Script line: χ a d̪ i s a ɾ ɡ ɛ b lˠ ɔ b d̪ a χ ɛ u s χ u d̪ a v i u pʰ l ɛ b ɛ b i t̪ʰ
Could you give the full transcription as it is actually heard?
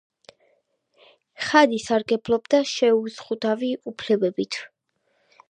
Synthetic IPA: χ a d̪ i s a ɾ ɡ ɛ b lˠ ɔ b d̪ a ʃ ɛ u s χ u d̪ a v i u pʰ l ɛ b ɛ b i t̪ʰ